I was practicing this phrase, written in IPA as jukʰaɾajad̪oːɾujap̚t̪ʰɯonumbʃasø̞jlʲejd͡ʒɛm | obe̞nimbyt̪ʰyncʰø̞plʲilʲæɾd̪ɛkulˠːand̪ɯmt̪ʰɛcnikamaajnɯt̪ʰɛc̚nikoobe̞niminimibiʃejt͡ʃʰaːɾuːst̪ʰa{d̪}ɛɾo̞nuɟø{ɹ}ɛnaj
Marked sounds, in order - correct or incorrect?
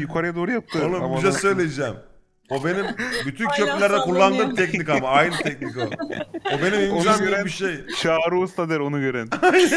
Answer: correct, incorrect: ɾ

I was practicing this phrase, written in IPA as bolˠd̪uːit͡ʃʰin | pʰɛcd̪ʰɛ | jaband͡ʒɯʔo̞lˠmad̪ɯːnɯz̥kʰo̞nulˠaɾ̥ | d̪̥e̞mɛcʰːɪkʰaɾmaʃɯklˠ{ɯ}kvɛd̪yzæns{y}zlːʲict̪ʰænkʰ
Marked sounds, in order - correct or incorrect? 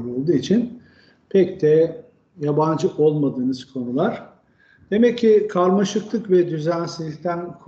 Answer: correct, incorrect: i

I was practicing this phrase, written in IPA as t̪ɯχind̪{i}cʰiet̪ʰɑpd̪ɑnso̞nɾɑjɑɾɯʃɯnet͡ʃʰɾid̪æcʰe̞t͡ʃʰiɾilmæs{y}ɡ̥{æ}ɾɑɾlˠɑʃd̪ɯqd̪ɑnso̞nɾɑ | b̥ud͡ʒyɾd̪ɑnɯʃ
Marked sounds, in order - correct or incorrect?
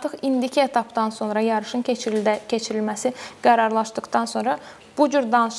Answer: correct, incorrect: i, correct

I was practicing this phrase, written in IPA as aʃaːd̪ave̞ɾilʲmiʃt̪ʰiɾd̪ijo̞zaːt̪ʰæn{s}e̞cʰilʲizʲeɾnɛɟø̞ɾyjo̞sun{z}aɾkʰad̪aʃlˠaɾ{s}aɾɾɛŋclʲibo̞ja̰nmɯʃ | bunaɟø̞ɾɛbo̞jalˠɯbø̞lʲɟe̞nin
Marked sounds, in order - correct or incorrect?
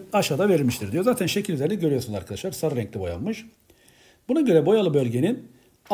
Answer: incorrect: ʃ, correct, correct

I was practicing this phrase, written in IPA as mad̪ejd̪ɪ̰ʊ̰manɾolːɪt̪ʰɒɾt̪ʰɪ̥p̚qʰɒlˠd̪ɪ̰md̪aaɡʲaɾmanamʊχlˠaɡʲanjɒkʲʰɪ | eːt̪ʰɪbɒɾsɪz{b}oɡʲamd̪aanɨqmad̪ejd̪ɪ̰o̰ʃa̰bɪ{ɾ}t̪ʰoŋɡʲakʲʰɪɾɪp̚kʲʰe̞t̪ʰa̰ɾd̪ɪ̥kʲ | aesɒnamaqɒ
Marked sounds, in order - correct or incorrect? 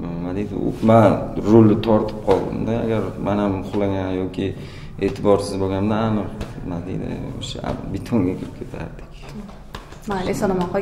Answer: correct, incorrect: none

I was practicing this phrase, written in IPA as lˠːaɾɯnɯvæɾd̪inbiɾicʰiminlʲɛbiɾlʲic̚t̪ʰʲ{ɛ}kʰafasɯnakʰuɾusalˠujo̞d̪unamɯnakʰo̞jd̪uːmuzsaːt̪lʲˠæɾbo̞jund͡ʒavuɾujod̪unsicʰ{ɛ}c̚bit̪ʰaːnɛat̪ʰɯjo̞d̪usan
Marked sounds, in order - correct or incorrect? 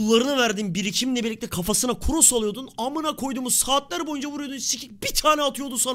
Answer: correct, incorrect: i

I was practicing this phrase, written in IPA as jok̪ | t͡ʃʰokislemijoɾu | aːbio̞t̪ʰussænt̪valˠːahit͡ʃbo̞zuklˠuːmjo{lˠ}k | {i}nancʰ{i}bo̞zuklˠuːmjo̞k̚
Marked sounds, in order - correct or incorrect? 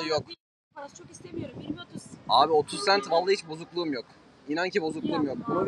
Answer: incorrect: none, correct, correct

